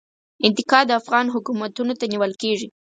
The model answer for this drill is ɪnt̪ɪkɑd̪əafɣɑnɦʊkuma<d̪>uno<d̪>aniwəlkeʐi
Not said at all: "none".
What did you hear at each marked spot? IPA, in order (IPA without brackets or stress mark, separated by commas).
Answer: t̪, t̪